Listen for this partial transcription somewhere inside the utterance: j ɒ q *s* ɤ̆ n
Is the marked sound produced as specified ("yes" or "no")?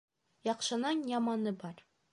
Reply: no